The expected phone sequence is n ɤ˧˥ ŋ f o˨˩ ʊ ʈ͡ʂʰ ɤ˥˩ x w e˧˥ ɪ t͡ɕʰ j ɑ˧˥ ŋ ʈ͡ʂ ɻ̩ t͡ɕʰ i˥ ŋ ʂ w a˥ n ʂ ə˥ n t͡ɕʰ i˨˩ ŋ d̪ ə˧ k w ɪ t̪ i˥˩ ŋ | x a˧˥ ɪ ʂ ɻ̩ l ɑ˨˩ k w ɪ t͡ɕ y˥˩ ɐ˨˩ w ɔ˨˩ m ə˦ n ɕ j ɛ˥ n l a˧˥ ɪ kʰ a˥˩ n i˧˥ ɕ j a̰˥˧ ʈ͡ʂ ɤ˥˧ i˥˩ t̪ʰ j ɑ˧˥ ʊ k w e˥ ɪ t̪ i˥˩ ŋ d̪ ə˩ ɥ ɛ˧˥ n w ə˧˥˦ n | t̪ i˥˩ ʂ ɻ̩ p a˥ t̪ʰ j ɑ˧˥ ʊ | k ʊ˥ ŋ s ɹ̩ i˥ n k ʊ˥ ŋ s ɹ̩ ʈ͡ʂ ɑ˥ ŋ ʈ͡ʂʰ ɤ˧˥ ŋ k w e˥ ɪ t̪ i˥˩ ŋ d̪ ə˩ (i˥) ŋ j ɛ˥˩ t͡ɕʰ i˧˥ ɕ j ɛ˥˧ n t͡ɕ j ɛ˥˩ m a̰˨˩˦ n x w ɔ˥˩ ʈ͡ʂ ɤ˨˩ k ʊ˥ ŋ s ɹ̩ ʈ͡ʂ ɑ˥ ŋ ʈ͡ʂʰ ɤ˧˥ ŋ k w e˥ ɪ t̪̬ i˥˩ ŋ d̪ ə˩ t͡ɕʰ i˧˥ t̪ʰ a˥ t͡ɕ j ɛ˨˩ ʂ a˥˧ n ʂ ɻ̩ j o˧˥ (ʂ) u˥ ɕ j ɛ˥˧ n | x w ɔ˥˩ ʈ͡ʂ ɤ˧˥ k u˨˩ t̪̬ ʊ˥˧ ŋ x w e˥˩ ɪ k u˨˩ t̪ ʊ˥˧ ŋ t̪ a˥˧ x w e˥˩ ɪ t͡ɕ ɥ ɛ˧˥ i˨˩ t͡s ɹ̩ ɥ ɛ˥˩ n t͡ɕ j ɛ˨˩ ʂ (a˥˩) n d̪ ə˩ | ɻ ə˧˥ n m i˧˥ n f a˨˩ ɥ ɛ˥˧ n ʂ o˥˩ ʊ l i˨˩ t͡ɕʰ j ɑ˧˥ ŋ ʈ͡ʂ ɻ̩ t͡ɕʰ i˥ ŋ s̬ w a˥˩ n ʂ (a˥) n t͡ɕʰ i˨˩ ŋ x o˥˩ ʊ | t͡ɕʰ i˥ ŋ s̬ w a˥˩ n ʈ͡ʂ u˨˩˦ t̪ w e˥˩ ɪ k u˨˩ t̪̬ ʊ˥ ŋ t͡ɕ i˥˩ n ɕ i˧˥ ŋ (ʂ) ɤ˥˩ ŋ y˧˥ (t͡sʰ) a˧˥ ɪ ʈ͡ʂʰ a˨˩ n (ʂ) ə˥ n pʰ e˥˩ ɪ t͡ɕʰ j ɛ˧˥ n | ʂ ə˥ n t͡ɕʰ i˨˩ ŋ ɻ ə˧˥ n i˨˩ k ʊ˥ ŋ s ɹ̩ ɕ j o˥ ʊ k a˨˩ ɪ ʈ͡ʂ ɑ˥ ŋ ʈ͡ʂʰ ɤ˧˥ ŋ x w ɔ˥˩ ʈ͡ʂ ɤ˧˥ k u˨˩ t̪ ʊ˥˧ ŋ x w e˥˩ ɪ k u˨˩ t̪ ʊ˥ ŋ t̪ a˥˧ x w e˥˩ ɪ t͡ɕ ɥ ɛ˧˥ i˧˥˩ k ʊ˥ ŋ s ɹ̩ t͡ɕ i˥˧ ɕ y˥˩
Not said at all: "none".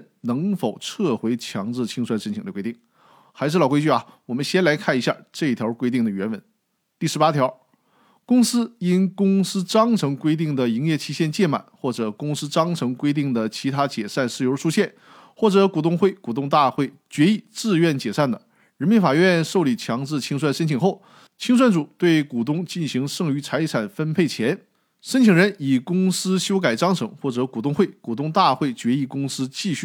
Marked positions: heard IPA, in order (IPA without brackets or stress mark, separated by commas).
i˧˥, ʂ, a˥˩, ə˥, ʂ, t͡sʰ, f